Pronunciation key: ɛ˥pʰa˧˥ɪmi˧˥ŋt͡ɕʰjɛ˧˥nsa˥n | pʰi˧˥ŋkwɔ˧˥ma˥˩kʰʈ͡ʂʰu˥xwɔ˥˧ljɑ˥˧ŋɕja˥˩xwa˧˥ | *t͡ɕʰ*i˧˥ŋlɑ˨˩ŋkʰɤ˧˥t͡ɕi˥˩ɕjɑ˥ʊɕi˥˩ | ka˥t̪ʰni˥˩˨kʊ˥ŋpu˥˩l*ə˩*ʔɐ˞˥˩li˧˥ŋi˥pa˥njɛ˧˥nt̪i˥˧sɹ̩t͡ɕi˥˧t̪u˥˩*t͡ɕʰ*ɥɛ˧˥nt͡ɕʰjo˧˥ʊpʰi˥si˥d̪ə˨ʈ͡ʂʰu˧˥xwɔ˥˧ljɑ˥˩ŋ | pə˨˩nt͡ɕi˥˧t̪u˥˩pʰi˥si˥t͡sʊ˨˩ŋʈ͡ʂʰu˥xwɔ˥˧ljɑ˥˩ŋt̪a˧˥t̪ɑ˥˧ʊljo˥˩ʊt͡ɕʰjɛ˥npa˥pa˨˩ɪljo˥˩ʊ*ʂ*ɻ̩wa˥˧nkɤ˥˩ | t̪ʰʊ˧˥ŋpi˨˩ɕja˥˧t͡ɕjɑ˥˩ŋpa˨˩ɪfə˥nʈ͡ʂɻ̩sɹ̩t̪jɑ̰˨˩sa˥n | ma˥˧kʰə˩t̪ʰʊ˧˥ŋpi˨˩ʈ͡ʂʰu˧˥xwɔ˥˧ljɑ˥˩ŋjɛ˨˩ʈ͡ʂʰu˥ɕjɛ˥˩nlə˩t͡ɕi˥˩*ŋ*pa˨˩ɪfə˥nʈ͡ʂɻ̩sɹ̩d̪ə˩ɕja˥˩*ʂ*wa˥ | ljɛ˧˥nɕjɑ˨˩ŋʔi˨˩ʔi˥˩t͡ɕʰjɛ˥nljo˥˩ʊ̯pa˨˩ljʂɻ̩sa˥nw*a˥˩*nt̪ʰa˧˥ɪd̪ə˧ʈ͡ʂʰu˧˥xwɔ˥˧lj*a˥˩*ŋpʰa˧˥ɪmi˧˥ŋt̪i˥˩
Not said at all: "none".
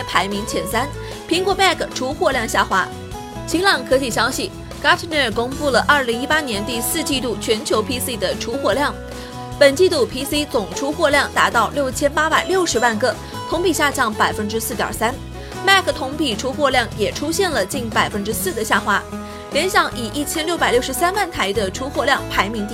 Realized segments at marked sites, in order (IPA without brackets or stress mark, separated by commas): t͡ɕʰ, ə˩, t͡ɕʰ, ʂ, n, x, a˥˩, ɑ˥˩